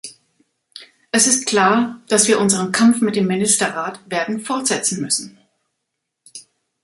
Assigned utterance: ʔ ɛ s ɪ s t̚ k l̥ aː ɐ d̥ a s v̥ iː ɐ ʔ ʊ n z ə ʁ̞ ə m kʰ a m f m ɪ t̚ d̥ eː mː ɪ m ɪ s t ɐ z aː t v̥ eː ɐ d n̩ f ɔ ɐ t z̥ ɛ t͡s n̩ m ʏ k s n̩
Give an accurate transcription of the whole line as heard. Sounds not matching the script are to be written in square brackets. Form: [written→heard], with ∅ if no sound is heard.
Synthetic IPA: ʔ ɛ s ɪ s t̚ k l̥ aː ɐ d̥ a s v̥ iː ɐ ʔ ʊ n z ə ʁ̞ ə [m→n] kʰ a m f m ɪ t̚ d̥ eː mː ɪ [m→n] ɪ s t ɐ [z→ʁ] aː t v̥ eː ɐ d n̩ f ɔ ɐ t z̥ ɛ t͡s n̩ m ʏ [k→∅] s n̩